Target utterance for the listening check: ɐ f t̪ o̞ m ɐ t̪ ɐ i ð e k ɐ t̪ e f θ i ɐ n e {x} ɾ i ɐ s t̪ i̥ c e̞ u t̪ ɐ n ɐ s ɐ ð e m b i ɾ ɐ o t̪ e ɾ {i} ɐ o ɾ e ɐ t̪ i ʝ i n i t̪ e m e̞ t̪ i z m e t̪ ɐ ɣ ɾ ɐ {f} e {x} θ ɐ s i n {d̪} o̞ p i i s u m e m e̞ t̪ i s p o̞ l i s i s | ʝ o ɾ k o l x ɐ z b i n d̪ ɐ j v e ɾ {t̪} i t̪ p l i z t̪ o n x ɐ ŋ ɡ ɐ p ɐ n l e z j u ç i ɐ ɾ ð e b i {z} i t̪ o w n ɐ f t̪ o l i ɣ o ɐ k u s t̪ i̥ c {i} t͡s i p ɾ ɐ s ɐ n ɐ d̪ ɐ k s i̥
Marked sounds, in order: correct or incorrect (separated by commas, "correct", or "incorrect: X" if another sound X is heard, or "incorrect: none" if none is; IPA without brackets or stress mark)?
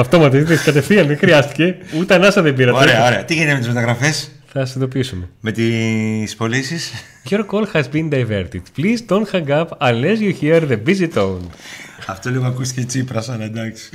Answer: correct, incorrect: e, correct, incorrect: s, correct, correct, correct, incorrect: e